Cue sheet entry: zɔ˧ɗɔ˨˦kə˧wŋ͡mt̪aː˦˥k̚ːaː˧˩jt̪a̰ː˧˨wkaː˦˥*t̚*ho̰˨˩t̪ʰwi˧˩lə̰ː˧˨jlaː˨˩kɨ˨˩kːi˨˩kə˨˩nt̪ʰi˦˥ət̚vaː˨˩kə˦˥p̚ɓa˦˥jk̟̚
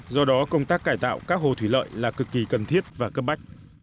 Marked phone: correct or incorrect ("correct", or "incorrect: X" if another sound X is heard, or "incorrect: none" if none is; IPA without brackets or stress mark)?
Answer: incorrect: k̚